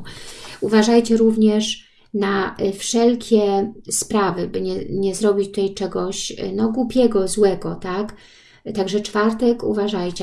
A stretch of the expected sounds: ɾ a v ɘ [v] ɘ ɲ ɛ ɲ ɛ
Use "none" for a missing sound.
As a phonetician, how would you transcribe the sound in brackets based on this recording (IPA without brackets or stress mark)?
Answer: b